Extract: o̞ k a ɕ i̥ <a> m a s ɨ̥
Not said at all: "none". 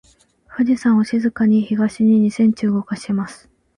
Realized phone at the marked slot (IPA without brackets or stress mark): e